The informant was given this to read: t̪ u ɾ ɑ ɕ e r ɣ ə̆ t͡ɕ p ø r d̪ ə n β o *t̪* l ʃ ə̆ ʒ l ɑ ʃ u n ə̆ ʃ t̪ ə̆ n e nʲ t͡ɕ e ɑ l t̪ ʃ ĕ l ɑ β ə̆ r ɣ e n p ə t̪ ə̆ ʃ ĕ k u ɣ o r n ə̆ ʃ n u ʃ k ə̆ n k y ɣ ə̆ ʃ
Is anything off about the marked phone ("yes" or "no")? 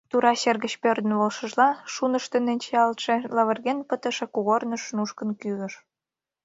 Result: yes